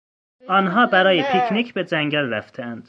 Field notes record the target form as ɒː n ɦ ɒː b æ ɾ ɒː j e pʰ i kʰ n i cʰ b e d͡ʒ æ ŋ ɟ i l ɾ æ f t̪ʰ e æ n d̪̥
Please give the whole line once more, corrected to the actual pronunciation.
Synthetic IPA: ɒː n ɦ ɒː b æ ɾ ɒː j e pʰ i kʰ n i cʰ b e d͡ʒ æ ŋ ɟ æ l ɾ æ f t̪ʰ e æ n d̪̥